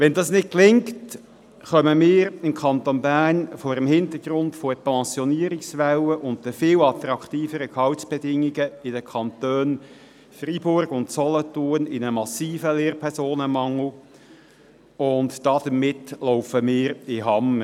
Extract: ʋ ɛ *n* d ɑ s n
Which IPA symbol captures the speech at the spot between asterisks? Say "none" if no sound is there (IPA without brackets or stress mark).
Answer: n